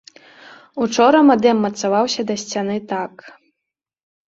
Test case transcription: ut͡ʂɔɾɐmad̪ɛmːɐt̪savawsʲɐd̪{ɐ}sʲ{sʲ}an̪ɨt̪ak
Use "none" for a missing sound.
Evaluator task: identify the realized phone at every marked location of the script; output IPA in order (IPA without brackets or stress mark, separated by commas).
ɐ, t͡sʲ